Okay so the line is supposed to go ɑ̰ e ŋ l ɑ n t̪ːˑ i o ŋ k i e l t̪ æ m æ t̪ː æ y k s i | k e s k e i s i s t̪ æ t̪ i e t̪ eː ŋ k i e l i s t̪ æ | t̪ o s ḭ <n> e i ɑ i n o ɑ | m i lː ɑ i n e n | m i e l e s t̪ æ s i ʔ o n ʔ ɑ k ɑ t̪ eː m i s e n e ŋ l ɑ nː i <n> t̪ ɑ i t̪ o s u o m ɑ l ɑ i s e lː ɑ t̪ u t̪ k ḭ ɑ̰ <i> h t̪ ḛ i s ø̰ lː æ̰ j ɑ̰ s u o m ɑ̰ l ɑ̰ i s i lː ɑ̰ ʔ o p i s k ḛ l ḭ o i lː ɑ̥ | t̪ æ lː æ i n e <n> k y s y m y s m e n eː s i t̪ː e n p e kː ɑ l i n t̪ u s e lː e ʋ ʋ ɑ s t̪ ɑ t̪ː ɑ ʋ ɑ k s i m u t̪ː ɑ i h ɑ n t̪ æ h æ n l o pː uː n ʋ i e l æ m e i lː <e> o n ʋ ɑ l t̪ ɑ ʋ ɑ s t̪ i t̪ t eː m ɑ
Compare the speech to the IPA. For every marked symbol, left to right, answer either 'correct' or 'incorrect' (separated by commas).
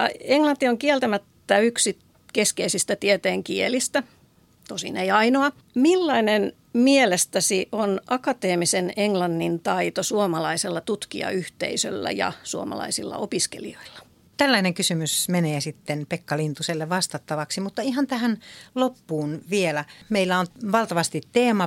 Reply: correct, correct, incorrect, incorrect, incorrect